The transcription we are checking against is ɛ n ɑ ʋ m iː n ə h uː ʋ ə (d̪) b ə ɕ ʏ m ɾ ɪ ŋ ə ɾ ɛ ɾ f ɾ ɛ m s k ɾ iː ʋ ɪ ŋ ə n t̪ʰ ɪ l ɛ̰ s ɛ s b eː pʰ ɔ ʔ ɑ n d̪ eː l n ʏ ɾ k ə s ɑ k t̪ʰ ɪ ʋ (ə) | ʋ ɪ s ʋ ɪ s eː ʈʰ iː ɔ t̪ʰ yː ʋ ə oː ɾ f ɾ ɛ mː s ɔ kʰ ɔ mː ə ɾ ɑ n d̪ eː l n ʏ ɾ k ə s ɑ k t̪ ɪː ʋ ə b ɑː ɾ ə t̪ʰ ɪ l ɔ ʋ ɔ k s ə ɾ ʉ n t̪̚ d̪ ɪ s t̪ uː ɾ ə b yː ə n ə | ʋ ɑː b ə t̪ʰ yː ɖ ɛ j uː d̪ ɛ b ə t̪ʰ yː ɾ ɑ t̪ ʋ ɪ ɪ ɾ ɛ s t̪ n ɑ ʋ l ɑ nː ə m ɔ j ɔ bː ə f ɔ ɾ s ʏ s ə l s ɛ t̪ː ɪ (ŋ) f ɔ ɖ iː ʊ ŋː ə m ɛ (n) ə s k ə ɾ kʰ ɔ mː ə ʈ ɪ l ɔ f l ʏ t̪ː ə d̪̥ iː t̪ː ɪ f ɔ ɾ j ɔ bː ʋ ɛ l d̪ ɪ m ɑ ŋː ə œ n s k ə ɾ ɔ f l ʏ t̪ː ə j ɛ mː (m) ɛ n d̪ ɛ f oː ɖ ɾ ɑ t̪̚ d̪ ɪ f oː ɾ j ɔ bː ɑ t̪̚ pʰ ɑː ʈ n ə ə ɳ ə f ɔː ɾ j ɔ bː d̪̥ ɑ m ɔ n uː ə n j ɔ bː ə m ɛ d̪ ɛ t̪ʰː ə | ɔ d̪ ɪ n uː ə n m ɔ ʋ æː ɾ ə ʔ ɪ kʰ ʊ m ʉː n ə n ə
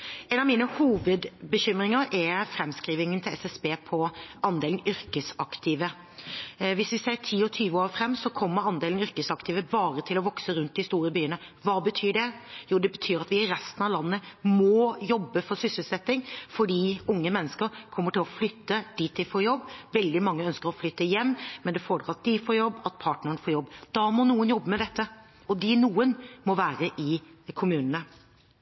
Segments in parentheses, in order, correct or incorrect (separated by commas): correct, correct, correct, incorrect, correct